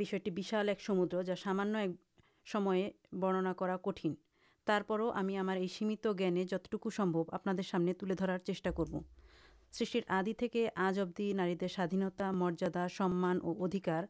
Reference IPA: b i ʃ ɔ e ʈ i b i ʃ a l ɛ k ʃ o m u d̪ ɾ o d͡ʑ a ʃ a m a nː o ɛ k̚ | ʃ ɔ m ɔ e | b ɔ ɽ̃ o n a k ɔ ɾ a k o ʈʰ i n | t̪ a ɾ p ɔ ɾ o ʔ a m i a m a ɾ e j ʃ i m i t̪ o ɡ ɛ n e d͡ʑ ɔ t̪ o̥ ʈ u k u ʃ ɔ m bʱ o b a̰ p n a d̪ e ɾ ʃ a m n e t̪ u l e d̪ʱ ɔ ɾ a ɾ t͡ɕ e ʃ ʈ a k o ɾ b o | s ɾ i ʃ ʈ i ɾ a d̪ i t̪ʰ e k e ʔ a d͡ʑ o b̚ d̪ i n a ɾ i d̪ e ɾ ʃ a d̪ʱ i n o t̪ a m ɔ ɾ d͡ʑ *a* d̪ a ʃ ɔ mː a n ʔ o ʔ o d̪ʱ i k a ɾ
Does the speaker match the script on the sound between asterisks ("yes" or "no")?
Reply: yes